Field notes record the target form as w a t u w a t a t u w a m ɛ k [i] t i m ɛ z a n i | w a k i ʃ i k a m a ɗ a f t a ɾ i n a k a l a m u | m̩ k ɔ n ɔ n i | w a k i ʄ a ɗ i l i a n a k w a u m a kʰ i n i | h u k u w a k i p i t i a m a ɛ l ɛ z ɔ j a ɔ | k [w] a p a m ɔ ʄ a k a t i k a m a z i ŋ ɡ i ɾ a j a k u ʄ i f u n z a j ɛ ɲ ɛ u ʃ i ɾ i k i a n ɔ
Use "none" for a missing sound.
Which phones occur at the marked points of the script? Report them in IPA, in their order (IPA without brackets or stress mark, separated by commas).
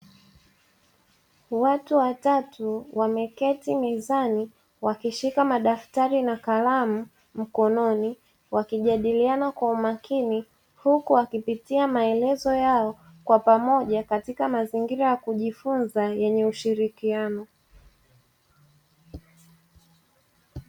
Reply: ɛ, w